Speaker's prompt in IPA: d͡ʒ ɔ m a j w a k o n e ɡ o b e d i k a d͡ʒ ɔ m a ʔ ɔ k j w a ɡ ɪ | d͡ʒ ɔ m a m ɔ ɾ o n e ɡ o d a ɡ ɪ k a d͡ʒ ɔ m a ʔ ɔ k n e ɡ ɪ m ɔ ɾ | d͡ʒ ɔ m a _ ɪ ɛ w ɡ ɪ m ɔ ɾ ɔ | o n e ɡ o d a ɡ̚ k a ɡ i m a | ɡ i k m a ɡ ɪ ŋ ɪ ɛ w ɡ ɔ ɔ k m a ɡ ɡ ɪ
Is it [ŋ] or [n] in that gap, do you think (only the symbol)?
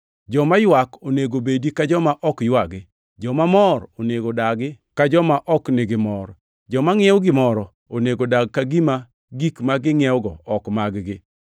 ŋ